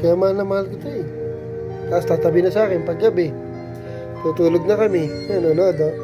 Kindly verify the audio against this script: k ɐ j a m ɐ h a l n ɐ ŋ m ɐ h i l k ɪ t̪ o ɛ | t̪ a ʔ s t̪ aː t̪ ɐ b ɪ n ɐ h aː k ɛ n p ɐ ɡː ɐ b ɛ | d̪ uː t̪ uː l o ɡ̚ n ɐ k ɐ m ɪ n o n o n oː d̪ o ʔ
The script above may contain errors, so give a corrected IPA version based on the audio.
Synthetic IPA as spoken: k ɐ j a m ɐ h a l n ɐ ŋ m ɐ h a l k ɪ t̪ o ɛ | t̪ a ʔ s t̪ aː t̪ ɐ b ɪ n ɐ s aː k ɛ n p ɐ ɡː ɐ b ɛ | t̪ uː t̪ uː l o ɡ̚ n ɐ k ɐ m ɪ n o n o n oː d̪ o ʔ